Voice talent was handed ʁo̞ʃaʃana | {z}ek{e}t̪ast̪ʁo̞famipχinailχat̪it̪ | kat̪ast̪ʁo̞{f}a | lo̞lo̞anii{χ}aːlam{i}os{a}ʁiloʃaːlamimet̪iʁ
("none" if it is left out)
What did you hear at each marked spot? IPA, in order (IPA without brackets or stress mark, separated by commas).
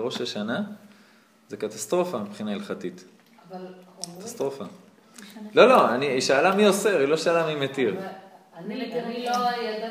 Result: z, a, f, ʃ, i, e